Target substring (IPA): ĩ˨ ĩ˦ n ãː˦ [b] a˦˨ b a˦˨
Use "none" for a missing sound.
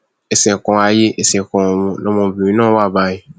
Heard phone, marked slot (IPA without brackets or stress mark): w